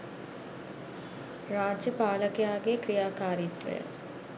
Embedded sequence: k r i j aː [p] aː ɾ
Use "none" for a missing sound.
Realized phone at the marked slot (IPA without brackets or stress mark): k